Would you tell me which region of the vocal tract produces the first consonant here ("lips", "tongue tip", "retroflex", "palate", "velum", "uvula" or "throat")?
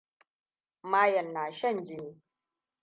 lips